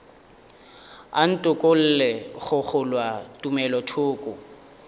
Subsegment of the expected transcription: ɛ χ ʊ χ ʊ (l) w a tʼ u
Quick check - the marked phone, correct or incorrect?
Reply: correct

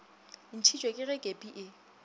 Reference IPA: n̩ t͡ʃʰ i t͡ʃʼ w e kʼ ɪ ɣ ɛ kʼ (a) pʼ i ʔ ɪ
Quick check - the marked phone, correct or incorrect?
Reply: incorrect: e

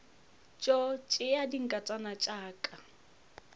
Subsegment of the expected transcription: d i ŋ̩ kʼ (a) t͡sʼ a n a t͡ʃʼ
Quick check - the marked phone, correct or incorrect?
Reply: correct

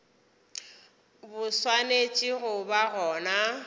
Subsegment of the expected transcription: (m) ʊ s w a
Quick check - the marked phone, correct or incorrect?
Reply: incorrect: b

